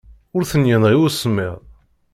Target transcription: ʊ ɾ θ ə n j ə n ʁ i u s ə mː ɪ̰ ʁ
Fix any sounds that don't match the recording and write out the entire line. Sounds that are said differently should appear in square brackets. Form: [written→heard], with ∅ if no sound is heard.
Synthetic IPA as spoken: ʊ ɾ θ ə n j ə n ʁ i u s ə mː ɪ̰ ʁ